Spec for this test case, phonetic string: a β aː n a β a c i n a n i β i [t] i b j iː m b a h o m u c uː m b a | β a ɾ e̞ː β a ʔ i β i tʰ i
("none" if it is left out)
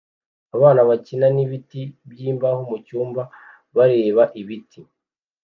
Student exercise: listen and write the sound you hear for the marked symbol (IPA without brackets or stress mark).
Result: t